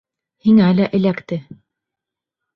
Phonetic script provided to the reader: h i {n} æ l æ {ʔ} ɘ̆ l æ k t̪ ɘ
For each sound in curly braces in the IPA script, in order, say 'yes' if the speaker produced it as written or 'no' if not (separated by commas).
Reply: no, yes